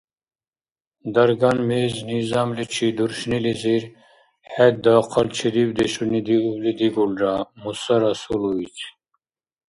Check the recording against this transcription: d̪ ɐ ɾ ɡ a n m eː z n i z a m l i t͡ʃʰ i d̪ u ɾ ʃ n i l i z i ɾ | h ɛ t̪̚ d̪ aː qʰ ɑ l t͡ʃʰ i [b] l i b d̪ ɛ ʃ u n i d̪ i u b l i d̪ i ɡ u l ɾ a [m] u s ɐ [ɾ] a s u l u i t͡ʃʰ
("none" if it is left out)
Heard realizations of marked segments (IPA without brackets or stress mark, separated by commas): none, m, ɾ